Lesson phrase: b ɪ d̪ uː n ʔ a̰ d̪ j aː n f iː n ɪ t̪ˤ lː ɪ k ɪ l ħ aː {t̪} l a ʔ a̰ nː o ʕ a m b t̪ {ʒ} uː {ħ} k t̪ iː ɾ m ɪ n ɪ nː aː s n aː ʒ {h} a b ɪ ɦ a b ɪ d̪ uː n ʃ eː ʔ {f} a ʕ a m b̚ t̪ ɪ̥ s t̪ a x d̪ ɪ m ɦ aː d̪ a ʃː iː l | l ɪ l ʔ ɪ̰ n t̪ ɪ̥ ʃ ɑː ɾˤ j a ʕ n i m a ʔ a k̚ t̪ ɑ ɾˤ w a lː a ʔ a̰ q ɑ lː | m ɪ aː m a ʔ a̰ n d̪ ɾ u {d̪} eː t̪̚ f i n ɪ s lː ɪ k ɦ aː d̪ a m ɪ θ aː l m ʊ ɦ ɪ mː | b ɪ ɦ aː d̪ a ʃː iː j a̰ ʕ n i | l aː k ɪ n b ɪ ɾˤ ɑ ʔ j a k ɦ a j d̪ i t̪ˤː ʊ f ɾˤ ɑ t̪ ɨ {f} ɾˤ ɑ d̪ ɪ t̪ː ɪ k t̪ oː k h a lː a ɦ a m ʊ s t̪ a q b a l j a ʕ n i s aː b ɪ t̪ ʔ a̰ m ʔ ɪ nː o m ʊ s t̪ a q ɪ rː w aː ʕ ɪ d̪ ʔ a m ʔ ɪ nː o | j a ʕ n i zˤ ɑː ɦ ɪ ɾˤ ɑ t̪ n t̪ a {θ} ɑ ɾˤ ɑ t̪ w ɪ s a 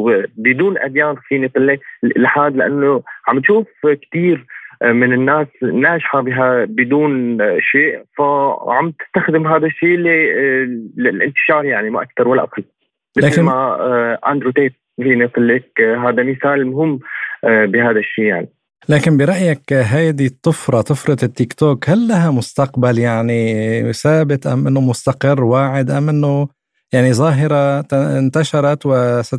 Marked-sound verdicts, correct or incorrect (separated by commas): incorrect, incorrect, incorrect, incorrect, correct, incorrect, correct, incorrect